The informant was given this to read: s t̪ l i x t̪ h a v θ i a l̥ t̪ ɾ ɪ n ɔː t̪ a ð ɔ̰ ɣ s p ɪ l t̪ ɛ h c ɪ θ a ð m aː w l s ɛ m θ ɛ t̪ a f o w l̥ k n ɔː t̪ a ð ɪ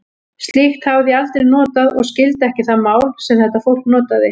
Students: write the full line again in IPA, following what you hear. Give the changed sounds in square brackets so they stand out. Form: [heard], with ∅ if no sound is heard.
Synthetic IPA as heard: s t̪ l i x t̪ h a v [ð] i a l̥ t̪ ɾ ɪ n ɔː t̪ a ð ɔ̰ ɣ s [c] ɪ l t̪ ɛ h c ɪ θ a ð m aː w l s ɛ m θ ɛ t̪ a f o w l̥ k n ɔː t̪ a ð ɪ